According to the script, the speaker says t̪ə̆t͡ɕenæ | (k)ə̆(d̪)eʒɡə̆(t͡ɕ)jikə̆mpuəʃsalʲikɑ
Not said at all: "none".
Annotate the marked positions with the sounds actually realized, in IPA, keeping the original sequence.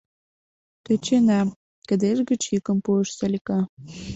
k, d̪, t͡ɕ

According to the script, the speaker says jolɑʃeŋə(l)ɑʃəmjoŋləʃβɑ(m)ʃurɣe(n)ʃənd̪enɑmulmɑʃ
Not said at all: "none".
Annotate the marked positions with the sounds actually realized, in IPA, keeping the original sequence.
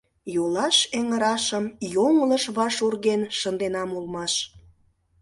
ɾ, none, n

